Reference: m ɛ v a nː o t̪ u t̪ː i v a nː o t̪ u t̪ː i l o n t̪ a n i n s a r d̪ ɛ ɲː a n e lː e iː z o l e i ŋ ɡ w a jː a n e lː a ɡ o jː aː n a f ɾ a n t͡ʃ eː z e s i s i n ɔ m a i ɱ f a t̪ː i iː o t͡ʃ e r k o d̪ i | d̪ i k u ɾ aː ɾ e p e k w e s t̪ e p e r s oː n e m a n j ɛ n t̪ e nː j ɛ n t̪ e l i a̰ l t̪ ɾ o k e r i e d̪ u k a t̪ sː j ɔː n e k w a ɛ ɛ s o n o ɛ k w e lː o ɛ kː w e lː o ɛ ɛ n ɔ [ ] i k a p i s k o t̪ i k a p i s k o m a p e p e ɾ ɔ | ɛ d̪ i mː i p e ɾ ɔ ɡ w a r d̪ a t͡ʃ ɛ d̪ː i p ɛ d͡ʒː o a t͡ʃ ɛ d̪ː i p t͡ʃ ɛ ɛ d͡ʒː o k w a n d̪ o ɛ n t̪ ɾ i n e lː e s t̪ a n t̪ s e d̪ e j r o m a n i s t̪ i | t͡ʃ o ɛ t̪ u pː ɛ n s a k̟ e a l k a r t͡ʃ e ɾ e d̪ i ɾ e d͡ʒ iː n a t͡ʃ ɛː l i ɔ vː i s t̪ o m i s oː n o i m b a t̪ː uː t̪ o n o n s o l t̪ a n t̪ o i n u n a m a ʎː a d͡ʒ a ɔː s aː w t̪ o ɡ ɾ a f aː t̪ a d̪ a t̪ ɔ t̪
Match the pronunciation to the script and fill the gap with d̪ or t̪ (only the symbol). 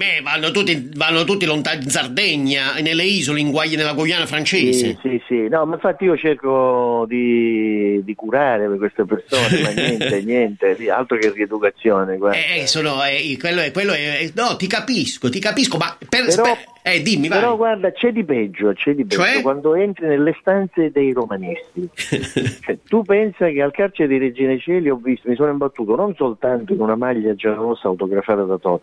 t̪